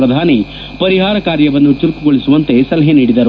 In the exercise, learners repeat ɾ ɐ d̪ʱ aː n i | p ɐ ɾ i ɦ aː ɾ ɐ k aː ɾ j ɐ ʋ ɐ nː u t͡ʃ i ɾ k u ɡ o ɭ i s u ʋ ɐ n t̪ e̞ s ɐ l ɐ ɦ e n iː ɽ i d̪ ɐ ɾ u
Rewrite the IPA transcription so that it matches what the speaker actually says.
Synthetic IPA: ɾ ɐ d̪ʱ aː n i | p ɐ ɾ i ɦ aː ɾ ɐ k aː ɾ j ɐ ʋ ɐ nː u t͡ʃ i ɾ k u ɡ o ɭ i s u ʋ ɐ n t̪ e̞ s ɐ l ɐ ɦ e n iː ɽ i d̪ ɐ ɾ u